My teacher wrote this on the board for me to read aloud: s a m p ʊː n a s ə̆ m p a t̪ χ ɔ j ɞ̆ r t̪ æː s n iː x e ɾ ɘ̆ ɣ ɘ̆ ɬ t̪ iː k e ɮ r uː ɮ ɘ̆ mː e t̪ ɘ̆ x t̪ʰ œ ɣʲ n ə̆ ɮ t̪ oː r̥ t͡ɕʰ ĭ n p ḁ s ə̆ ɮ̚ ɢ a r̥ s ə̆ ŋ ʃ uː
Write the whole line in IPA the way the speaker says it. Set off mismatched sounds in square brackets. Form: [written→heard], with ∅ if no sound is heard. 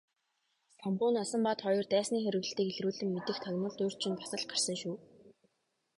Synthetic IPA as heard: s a m p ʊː n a s ə̆ m p a t̪ χ ɔ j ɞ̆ r t̪ æː s n iː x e ɾ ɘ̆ ɣ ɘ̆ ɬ t̪ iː k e ɮ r uː ɮ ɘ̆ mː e t̪ ɘ̆ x t̪ʰ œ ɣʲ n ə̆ ɮ t̪ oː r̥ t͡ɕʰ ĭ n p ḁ s ə̆ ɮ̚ ɢ a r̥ s ə̆ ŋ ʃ uː